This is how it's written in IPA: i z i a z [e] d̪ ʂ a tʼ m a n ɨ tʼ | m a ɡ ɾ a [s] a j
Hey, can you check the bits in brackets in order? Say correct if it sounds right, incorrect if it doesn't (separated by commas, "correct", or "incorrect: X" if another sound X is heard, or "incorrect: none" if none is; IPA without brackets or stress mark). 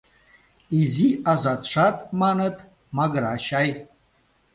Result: incorrect: a, incorrect: ʃ